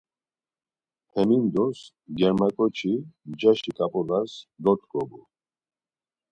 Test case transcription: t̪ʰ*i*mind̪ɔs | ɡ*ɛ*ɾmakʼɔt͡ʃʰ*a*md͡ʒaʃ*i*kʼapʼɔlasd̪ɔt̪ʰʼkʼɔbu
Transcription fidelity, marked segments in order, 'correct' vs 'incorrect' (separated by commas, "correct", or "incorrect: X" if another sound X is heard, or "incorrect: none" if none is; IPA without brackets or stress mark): incorrect: ɛ, correct, incorrect: i, correct